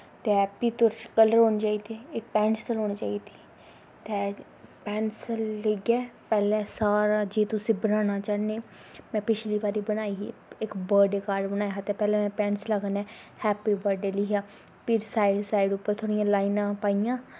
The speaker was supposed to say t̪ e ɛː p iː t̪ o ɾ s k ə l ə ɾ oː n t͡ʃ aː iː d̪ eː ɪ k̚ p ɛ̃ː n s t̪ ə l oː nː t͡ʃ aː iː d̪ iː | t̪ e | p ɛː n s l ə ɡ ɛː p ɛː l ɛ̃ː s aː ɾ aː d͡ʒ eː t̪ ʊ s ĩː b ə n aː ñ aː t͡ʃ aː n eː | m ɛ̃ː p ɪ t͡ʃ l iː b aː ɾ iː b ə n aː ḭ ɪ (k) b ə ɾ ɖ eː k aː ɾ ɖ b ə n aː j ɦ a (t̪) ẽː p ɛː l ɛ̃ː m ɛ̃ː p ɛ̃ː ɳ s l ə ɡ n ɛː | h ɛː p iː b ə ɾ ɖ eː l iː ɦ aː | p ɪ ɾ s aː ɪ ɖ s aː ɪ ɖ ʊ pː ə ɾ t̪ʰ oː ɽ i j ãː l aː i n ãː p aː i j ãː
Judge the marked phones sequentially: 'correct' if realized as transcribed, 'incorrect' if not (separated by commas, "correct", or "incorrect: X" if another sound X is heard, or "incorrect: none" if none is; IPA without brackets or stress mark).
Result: correct, correct